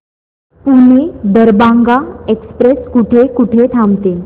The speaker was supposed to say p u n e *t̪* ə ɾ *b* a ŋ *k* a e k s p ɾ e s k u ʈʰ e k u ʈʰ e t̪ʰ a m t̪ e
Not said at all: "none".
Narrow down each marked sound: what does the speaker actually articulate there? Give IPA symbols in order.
d̪, b, ɡ

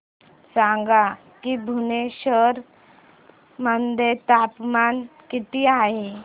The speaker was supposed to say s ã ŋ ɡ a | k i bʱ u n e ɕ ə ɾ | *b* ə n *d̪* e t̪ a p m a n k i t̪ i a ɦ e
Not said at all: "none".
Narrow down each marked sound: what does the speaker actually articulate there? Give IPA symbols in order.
m, d̪

